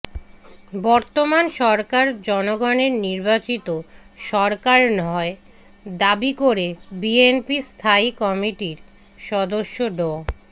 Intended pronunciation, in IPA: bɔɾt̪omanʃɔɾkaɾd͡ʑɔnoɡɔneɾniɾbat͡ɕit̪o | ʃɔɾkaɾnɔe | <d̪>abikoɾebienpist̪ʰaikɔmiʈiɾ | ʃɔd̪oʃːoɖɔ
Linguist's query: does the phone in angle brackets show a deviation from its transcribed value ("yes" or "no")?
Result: no